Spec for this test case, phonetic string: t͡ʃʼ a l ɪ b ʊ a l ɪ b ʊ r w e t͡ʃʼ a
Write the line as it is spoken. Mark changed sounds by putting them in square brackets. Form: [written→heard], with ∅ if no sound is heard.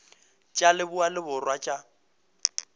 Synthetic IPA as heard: t͡ʃʼ a l ɪ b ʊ a l ɪ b ʊ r w [e→a] t͡ʃʼ a